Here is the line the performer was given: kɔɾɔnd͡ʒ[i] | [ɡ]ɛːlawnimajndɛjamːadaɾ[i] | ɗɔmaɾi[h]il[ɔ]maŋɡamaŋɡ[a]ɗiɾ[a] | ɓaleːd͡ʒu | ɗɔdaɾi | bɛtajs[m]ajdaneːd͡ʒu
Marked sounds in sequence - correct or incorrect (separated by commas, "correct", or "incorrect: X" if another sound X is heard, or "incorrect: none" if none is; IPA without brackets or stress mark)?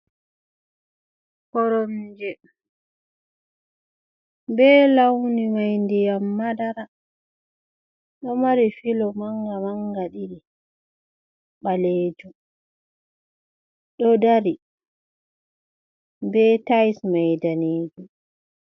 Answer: incorrect: ɛ, incorrect: b, incorrect: a, incorrect: f, correct, correct, incorrect: i, correct